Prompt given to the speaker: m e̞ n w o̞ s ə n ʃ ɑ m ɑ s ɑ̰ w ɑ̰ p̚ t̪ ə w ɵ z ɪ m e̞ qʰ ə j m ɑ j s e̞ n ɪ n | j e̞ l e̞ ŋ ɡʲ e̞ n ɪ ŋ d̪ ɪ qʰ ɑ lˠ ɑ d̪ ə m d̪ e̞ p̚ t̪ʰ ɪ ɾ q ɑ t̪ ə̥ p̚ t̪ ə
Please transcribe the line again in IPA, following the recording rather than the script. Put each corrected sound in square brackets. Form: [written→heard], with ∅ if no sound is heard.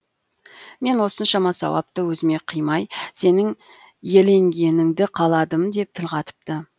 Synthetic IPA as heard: m e̞ n w o̞ s ə n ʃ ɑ m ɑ s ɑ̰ w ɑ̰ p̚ t̪ ə w ɵ z ɪ m e̞ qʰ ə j m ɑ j s e̞ n ɪ [n→ŋ] | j e̞ l e̞ ŋ ɡʲ e̞ n ɪ ŋ d̪ ɪ qʰ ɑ lˠ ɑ d̪ ə m d̪ e̞ p̚ t̪ʰ ɪ [ɾ→l] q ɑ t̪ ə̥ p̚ t̪ ə